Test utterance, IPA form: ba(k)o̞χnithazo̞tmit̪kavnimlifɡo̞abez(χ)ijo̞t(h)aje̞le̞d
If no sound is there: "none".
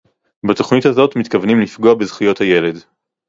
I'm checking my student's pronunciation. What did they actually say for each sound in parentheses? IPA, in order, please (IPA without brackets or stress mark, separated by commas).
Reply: t, χ, h